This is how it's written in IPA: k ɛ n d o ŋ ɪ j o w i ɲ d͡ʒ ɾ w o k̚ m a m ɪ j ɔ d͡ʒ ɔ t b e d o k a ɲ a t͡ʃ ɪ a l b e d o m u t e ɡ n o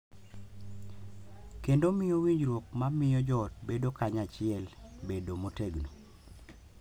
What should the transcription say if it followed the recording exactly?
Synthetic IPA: k e n d o m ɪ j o w i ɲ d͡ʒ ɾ w o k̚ m a m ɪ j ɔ d͡ʒ ɔ t b e d o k a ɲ a t͡ʃ ɪ ɛ l b e d o m o t e ɡ n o